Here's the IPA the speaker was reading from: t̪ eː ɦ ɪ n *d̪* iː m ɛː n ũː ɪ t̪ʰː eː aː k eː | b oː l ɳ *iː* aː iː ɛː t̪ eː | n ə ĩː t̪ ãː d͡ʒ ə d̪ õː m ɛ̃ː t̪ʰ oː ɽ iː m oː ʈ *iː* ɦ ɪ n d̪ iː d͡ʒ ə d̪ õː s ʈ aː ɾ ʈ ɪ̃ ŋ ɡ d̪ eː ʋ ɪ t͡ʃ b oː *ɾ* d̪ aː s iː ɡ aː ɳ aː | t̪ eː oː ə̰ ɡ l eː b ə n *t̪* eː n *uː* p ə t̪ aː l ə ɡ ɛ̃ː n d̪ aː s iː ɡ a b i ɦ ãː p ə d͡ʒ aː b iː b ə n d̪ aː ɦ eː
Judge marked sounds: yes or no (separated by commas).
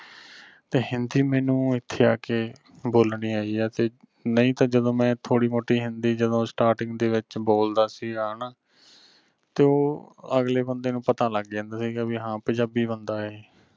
yes, yes, yes, no, no, no